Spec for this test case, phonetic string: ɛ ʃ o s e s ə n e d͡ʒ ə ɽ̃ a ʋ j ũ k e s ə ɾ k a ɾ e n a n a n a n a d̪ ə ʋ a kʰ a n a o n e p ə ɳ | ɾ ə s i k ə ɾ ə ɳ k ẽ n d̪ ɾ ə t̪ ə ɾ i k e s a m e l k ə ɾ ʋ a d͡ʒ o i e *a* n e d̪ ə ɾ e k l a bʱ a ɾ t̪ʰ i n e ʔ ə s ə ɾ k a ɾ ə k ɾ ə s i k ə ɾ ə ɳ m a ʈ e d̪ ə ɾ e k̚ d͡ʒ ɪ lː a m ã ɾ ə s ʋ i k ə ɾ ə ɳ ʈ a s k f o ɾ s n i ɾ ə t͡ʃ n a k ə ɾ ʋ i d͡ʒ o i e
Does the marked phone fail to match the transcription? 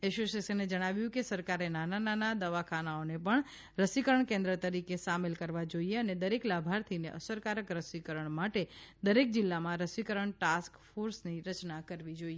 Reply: yes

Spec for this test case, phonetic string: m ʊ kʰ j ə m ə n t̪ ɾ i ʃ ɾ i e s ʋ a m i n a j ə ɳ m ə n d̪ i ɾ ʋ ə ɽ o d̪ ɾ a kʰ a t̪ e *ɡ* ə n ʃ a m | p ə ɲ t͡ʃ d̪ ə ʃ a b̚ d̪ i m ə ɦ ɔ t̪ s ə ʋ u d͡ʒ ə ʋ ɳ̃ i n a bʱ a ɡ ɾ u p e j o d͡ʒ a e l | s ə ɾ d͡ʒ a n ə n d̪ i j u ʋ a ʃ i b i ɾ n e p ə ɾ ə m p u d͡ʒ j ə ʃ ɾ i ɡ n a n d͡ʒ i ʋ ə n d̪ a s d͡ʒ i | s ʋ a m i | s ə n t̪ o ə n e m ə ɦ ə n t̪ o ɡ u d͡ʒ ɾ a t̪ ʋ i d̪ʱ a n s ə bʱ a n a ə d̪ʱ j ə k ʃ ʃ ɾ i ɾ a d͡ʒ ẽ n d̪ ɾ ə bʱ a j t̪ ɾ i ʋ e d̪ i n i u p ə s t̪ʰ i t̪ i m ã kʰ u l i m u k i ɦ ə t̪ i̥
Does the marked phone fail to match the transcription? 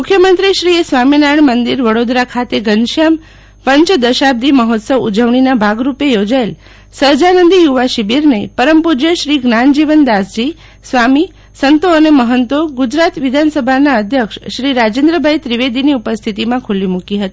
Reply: no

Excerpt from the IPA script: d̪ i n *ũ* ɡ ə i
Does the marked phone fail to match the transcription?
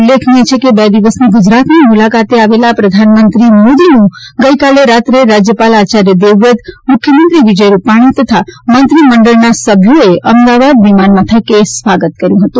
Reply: no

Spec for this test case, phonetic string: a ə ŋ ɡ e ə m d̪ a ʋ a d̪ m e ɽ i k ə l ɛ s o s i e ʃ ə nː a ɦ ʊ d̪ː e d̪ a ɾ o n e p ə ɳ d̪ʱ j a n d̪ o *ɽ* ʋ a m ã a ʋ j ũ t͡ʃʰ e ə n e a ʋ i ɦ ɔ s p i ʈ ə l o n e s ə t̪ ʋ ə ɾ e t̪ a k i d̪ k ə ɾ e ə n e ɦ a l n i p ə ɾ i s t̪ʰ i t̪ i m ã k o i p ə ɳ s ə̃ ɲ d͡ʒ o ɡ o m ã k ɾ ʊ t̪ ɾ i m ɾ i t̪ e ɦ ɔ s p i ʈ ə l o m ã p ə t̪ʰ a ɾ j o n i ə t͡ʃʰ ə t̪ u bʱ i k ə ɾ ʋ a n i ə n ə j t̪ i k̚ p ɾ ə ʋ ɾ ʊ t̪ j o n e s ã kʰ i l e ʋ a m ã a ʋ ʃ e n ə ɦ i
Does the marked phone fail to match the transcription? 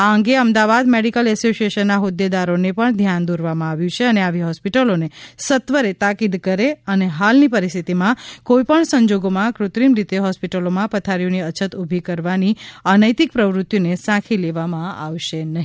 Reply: yes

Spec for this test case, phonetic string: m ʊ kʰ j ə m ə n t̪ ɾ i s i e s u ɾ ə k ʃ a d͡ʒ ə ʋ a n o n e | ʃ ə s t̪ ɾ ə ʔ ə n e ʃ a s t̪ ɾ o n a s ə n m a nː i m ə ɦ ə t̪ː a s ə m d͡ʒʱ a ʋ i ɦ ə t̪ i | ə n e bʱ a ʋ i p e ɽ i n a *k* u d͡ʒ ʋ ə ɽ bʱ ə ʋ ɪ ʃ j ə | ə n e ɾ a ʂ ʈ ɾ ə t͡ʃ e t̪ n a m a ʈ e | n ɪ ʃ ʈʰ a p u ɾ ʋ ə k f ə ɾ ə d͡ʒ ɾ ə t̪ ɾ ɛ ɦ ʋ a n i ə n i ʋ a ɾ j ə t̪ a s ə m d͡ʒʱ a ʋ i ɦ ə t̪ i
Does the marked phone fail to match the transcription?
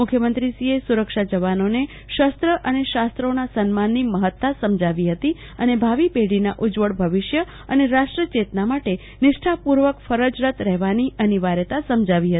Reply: yes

